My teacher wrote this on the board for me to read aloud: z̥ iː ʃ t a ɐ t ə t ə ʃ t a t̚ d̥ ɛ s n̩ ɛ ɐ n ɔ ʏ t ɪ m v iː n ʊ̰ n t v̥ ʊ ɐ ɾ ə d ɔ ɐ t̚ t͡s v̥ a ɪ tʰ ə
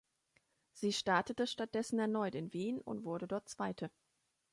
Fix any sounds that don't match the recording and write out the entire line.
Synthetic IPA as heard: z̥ iː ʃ t a ɐ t ə t ə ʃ t a t̚ d̥ ɛ s n̩ ɛ ɐ n ɔ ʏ t ɪ n v iː n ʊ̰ n t v̥ ʊ ɐ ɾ ə d ɔ ɐ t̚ t͡s v̥ a ɪ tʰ ə